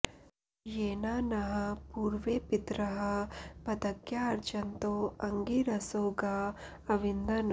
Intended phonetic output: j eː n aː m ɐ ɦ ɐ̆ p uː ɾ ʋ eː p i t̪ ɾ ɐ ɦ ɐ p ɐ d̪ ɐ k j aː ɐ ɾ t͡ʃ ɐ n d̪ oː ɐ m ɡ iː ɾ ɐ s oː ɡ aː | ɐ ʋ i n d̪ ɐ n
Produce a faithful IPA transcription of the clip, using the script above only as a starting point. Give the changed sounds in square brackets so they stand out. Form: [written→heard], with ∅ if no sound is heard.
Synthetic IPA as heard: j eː n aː [m→n] ɐ ɦ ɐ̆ p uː ɾ ʋ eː p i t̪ ɾ ɐ ɦ ɐ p ɐ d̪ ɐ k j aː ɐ ɾ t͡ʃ ɐ n [d̪→t̪] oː ɐ [m→ŋ] ɡ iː ɾ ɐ s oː ɡ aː | ɐ ʋ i n d̪ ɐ n